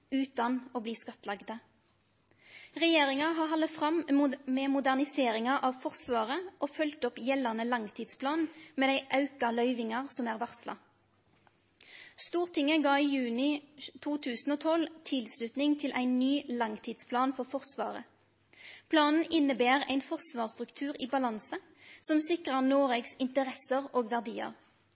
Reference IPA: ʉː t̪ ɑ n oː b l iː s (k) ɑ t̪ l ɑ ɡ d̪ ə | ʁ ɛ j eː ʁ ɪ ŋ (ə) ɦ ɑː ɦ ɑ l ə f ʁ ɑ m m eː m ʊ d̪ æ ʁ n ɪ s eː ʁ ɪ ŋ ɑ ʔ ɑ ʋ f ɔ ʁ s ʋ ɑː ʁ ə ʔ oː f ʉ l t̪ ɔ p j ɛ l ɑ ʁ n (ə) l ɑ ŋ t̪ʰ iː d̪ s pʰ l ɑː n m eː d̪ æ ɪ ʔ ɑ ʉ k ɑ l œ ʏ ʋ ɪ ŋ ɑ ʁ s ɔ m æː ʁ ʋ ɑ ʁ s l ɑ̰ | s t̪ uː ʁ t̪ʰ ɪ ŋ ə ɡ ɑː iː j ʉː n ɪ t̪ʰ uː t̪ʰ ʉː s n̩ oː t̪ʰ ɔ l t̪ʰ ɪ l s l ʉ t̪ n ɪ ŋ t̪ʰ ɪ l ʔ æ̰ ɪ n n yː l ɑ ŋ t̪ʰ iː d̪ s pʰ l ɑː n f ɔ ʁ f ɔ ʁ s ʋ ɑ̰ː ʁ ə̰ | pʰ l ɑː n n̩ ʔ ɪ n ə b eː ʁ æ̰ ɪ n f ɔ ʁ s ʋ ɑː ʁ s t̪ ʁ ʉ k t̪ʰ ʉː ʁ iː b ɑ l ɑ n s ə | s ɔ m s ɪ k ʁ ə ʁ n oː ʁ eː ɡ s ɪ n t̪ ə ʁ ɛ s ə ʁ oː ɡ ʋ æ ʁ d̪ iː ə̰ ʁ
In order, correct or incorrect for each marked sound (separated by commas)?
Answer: correct, incorrect, correct